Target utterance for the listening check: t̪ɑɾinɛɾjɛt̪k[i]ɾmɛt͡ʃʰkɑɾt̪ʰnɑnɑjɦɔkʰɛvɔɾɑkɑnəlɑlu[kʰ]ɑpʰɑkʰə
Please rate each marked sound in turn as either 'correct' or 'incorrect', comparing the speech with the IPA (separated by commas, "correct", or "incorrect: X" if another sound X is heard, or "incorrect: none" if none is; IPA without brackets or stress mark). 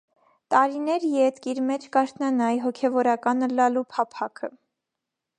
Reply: correct, incorrect: pʰ